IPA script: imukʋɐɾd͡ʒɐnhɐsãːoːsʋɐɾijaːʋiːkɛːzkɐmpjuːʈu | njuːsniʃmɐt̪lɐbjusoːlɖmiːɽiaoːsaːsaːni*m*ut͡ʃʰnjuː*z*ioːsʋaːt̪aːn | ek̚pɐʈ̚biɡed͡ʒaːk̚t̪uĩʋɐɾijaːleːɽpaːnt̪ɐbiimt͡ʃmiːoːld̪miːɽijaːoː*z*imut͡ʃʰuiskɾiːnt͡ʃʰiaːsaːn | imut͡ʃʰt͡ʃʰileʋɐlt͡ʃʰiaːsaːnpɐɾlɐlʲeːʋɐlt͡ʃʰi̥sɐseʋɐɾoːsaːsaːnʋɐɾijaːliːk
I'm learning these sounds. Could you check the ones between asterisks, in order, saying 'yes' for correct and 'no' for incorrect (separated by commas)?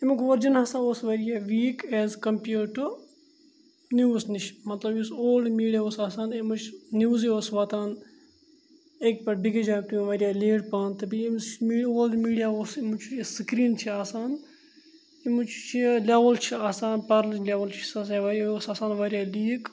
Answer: yes, yes, no